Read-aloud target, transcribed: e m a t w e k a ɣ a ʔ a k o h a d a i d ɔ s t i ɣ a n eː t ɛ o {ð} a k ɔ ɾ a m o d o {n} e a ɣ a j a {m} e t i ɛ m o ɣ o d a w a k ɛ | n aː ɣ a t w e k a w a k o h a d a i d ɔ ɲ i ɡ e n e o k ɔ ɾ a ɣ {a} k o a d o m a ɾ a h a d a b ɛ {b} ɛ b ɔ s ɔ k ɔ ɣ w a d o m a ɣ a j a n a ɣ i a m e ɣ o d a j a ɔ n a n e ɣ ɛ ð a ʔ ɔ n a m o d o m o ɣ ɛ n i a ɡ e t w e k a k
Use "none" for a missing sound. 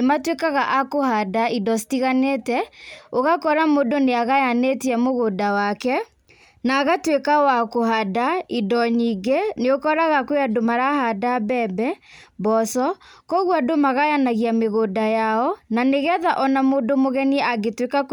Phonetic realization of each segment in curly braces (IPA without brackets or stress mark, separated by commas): ɣ, n, n, a, b